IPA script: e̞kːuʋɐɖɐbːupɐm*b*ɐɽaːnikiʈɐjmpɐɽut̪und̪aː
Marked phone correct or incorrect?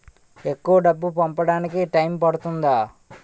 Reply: incorrect